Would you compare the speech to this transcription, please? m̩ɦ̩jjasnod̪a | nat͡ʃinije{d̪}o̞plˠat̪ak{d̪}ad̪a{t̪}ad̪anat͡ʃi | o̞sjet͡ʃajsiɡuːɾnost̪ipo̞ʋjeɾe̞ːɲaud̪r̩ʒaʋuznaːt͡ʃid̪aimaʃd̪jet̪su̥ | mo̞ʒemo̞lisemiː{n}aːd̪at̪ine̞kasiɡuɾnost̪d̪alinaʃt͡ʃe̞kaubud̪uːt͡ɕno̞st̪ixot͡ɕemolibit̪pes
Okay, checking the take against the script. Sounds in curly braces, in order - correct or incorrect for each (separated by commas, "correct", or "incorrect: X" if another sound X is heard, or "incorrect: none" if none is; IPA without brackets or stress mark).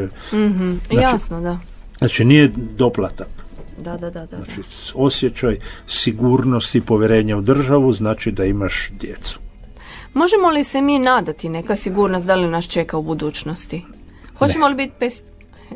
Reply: correct, correct, incorrect: d̪, correct